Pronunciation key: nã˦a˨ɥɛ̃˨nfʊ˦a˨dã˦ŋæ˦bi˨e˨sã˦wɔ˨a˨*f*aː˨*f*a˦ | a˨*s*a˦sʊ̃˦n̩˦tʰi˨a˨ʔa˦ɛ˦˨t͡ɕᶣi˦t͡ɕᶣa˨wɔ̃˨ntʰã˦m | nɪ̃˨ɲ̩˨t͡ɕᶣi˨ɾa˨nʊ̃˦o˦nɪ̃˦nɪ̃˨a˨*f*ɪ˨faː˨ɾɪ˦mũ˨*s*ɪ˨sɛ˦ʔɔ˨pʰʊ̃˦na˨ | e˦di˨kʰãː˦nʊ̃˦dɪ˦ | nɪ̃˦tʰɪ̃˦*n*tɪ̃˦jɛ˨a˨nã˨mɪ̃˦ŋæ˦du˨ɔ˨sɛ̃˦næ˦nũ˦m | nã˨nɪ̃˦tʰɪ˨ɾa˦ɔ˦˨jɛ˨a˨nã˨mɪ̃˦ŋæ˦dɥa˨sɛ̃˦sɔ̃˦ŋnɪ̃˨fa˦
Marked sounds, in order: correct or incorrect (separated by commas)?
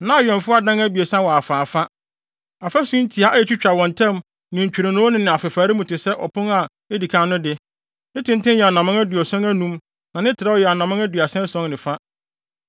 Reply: correct, correct, incorrect, correct, incorrect, correct